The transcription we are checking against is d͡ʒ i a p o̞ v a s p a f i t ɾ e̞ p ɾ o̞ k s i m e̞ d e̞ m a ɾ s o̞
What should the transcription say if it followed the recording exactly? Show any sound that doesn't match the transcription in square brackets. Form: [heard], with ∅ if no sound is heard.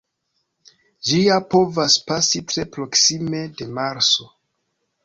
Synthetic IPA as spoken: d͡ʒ i a p o̞ v a s p a [s] i t ɾ e̞ p ɾ o̞ k s i m e̞ d e̞ m a ɾ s o̞